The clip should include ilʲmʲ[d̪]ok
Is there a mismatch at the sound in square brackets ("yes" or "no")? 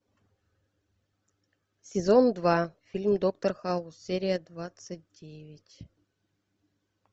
no